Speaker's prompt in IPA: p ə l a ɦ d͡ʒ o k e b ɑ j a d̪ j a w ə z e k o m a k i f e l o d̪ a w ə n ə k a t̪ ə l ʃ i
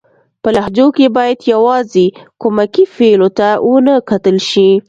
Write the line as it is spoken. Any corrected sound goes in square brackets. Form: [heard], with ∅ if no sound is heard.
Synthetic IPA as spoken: p ə l a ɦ d͡ʒ o k e b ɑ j a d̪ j a w [ɑ] z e k o m a k i f e l o [t̪] a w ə n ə k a t̪ ə l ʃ i